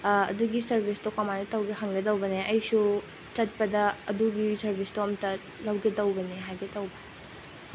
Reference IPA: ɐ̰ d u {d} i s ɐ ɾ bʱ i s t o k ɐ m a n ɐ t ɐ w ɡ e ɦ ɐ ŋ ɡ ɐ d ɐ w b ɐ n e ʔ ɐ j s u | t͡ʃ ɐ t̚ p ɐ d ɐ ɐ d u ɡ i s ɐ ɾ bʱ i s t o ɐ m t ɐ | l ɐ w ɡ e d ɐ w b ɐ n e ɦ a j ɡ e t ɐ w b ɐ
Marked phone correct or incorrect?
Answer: incorrect